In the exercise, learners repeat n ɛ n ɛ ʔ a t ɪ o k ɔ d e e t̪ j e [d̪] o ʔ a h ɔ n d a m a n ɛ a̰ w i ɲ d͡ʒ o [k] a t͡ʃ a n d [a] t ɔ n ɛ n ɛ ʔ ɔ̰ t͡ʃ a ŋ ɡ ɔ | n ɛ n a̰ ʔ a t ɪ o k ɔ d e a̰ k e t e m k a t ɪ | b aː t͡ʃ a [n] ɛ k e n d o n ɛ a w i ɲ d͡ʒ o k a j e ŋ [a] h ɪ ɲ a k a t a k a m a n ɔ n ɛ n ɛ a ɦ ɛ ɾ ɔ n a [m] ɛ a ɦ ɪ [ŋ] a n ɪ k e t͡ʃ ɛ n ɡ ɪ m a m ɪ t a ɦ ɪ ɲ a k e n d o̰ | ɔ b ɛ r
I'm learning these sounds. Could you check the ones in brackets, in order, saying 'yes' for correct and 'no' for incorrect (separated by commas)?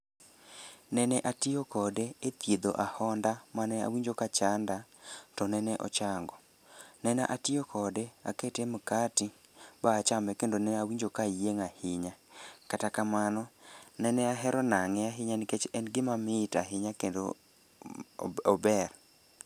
yes, yes, yes, no, yes, no, no